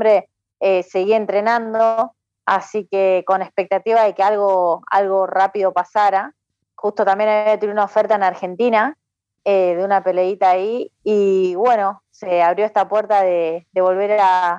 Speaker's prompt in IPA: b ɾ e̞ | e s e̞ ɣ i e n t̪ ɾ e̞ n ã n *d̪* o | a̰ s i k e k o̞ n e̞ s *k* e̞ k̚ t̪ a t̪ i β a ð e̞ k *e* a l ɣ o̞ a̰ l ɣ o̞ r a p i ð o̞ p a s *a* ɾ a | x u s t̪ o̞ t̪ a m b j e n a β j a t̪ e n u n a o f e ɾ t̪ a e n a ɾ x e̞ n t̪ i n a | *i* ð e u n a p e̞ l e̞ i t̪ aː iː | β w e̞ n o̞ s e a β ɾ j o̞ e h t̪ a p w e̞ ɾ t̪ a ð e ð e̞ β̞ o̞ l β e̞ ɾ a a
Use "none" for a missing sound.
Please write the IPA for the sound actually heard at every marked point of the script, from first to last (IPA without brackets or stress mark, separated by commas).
d̪, p, e, a, e